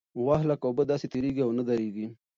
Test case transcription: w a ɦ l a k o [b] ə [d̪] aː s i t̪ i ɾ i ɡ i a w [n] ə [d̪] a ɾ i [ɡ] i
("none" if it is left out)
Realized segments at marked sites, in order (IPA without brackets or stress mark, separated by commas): b, d̪, n, d̪, ɡ